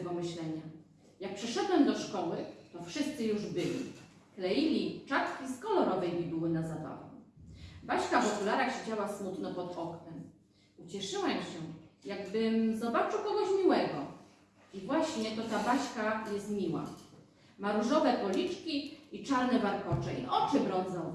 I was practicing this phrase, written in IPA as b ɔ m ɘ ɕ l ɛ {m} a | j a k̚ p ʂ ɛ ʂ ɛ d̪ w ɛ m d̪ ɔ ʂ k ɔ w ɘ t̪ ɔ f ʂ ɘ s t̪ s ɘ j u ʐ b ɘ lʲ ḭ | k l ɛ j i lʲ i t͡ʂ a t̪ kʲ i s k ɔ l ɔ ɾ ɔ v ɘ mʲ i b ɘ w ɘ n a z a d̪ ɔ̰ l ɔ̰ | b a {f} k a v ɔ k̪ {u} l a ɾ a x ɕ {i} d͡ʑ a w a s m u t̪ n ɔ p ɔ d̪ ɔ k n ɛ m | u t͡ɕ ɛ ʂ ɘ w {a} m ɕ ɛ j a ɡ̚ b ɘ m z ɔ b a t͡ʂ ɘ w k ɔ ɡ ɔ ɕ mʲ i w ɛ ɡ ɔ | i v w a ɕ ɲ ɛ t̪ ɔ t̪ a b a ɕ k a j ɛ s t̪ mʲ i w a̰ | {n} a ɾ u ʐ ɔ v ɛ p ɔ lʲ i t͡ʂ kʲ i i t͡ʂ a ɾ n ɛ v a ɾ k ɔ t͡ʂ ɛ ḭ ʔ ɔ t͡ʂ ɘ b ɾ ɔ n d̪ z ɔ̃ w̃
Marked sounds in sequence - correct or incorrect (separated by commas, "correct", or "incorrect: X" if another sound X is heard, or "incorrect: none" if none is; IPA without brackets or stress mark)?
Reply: incorrect: ɲ, incorrect: ɕ, correct, incorrect: e, incorrect: ɛ, incorrect: m